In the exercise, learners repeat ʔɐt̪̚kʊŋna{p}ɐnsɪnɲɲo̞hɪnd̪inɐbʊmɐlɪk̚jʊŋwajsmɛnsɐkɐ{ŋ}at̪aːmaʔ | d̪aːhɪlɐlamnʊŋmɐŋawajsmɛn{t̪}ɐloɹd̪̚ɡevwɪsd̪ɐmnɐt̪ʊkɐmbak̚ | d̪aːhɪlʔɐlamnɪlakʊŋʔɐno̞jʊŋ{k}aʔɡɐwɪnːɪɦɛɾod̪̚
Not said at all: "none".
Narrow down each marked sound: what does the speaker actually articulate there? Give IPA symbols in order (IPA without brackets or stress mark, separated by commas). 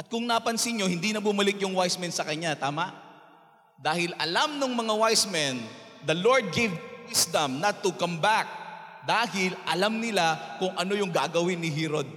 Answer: p, ɲ, d̪, ɡ